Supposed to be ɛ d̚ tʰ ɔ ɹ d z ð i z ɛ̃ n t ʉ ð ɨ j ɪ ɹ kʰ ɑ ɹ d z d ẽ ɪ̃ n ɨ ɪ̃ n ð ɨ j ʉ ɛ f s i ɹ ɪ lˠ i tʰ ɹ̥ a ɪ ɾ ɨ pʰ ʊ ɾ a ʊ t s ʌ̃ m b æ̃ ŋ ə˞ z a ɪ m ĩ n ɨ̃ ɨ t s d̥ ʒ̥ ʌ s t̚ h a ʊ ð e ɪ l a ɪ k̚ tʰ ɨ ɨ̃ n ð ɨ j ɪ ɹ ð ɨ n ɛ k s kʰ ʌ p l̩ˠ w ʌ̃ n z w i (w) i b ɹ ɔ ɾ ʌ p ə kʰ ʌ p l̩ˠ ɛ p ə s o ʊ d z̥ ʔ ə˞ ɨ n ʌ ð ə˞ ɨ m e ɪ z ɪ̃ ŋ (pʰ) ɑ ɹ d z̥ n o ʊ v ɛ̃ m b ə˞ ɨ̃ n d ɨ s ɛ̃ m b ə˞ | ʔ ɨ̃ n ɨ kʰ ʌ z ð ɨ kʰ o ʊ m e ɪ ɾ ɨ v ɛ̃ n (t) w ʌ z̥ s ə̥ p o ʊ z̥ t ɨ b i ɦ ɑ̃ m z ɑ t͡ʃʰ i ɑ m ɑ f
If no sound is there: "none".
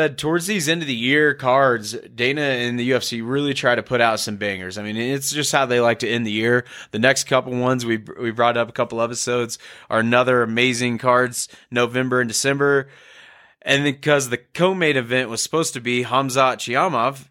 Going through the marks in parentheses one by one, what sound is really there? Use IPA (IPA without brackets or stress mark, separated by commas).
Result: w, kʰ, ʔ